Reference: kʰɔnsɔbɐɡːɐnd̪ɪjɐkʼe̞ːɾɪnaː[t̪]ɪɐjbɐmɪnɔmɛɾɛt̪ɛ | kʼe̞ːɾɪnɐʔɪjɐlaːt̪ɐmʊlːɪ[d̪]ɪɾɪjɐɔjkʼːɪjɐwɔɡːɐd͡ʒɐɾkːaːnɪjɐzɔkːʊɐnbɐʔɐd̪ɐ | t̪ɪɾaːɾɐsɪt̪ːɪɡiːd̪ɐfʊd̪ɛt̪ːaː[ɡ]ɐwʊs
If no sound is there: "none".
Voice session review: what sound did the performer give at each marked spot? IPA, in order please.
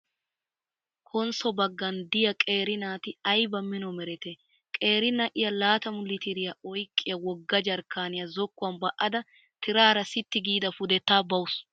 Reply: t̪, t̪, b

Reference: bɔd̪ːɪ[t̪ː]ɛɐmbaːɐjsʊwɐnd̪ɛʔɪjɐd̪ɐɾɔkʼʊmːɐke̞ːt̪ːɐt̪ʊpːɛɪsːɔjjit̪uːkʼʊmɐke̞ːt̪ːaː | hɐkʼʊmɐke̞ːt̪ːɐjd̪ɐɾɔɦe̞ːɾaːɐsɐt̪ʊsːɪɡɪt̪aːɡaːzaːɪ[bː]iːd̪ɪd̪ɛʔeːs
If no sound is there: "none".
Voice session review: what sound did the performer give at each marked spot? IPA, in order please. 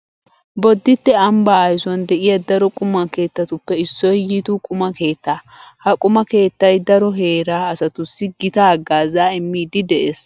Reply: t̪ː, mː

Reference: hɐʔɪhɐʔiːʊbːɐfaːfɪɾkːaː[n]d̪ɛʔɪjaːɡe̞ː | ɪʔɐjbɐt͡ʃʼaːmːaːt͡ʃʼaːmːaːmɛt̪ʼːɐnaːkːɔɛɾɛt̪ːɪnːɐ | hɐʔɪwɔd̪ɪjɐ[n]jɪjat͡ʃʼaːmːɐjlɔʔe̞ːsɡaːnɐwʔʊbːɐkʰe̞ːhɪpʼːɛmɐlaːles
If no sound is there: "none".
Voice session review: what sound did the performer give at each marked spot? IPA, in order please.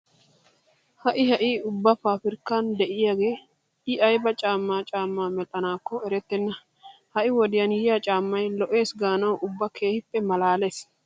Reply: n, n

